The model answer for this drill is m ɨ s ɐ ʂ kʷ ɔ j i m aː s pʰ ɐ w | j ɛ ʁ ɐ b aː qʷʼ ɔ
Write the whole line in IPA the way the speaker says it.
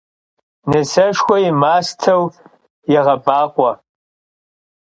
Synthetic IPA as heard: n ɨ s ɐ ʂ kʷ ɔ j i m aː s tʰ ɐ w | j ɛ ʁ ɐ b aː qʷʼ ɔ